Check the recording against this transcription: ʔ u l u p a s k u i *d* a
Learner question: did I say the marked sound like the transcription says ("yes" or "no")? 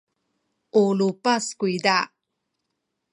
yes